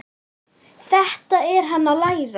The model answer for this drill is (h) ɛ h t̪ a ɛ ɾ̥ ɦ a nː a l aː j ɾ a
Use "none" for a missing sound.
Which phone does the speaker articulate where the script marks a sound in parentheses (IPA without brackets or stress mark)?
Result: θ